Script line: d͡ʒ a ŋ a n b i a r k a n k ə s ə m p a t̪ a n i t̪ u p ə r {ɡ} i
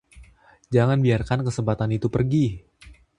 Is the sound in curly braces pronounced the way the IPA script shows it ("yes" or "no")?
yes